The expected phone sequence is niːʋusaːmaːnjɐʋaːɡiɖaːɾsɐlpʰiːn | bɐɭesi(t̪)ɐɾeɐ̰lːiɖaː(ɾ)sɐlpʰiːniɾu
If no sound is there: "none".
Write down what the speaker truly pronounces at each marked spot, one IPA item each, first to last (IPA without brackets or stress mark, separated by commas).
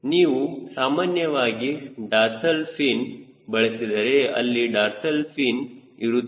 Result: d̪, ɾ